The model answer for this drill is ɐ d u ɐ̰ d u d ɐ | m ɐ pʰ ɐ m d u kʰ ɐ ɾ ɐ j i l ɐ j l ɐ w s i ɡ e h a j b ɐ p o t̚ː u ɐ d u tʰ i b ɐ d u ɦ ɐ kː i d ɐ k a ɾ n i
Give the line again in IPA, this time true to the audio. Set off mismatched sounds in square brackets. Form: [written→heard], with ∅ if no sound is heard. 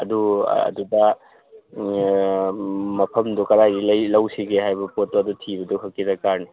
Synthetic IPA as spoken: ɐ d u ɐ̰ d u d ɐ | m ɐ pʰ ɐ m d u [kʰ→k] ɐ ɾ [ɐ→a] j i l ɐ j l ɐ w s i ɡ e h a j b ɐ p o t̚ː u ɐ d u tʰ i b ɐ d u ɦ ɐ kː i d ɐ k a ɾ n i